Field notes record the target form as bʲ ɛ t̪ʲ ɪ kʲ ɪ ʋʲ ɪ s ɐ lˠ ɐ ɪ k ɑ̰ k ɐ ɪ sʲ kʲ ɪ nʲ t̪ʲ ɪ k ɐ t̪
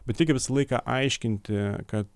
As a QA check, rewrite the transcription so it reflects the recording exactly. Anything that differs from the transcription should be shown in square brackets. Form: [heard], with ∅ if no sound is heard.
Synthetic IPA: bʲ ɛ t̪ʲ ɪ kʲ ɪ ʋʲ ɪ s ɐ lˠ ɐ ɪ k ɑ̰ [ʔ] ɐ ɪ [ʃʲ] kʲ ɪ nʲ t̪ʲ ɪ k ɐ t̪